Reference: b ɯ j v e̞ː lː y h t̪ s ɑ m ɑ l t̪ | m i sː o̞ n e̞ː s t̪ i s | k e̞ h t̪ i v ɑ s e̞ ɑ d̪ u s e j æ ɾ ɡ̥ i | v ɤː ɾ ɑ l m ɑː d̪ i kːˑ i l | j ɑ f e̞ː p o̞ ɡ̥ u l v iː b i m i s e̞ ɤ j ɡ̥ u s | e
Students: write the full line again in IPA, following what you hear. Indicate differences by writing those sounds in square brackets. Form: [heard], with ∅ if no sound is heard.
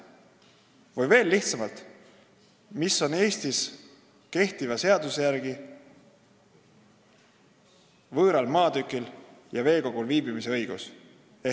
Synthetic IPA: [v] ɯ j v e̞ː lː [i] h t̪ s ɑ m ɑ l t̪ | m i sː o̞ n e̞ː s t̪ i s | k e̞ h t̪ i v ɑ s e̞ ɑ d̪ u s e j æ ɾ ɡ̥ i | v ɤː ɾ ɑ l m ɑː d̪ [y] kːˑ i l | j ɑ [v] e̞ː [k] o̞ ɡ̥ u l v iː b i m i s e̞ ɤ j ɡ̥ u s | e